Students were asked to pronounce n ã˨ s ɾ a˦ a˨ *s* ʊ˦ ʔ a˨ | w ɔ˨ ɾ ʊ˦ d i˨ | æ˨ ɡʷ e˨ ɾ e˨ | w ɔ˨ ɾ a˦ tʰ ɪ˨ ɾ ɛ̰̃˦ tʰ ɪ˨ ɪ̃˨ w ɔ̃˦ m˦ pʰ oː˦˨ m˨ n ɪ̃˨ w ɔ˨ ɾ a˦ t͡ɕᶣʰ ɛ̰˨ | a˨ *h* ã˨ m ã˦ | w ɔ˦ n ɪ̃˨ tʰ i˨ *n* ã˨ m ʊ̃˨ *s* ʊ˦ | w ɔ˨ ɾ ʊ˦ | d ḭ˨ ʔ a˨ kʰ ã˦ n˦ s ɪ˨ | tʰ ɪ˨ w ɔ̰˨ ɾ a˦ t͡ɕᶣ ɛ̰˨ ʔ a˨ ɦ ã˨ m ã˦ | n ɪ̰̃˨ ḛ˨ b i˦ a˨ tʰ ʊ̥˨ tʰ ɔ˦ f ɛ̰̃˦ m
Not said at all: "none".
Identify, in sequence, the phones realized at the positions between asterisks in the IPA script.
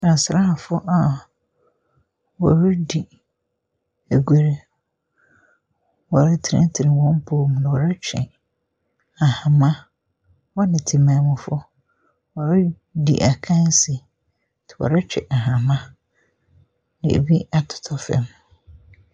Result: f, h, m, f

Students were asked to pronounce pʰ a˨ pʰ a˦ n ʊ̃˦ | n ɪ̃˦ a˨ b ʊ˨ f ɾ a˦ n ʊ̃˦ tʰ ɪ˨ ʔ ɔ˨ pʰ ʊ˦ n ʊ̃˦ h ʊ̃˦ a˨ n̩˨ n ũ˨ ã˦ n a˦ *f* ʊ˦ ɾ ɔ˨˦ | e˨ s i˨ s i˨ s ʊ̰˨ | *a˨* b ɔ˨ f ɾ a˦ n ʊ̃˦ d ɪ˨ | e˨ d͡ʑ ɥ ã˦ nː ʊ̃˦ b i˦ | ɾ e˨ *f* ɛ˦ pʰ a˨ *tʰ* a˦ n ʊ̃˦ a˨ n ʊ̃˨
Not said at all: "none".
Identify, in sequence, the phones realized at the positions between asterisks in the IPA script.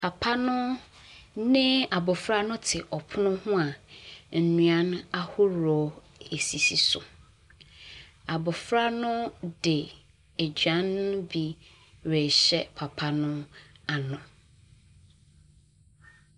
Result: h, a˨, ɕ, pʰ

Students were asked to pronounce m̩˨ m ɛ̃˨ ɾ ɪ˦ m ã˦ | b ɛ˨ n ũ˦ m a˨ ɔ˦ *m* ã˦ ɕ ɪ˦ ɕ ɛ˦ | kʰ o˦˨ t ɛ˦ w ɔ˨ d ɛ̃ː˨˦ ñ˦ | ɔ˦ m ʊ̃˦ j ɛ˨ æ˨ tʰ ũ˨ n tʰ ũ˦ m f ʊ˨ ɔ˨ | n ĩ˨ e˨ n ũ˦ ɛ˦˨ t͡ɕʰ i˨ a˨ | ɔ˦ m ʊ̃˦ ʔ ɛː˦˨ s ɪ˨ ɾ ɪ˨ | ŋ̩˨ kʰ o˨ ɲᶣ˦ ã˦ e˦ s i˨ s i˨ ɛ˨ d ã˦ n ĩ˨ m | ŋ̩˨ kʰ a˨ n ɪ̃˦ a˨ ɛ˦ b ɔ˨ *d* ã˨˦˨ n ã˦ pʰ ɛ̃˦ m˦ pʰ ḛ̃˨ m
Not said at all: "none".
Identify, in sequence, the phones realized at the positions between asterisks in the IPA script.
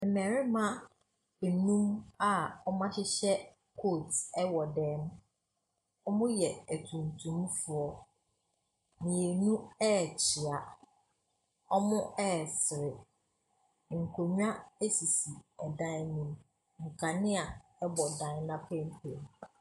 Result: m, d

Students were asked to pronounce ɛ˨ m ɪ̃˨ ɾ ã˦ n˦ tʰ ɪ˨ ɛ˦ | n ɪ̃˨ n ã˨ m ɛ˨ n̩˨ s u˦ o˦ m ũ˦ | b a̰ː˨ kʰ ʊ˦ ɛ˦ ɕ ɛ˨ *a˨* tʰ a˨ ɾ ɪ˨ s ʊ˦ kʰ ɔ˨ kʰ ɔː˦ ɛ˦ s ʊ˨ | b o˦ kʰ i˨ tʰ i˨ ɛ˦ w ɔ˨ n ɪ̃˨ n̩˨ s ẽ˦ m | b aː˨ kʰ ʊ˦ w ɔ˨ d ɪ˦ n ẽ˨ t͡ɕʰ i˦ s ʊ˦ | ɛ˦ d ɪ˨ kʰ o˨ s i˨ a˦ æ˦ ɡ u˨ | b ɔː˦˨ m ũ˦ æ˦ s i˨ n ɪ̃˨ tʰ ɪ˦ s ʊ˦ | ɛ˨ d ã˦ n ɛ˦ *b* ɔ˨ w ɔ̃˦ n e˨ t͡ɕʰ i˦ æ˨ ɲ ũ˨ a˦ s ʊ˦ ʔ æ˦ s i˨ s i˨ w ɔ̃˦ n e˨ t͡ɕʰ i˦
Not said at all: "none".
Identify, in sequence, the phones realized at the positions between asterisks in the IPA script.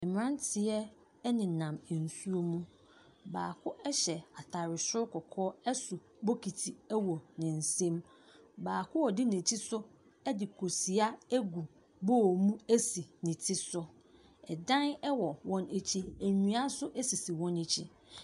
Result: a˨, w

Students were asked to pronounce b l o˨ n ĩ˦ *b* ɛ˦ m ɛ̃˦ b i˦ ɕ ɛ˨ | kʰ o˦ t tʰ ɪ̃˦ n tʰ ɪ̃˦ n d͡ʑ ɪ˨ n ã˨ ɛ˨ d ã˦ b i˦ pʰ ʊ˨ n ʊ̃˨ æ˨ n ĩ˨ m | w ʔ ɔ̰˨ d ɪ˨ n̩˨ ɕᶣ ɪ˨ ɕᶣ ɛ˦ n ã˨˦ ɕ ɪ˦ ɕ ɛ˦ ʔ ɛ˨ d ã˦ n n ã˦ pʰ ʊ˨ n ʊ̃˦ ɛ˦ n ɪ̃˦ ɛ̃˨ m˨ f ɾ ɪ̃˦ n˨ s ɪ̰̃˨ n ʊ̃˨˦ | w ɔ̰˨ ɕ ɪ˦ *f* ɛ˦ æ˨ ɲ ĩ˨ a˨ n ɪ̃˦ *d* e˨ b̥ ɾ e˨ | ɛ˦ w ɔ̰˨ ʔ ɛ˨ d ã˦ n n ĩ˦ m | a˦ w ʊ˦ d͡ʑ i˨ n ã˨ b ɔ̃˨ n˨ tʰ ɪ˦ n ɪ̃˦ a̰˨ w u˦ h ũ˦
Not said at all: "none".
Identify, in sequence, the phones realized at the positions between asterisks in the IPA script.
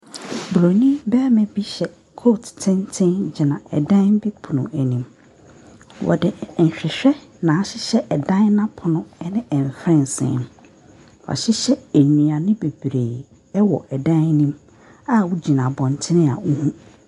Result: b, ɕ, b

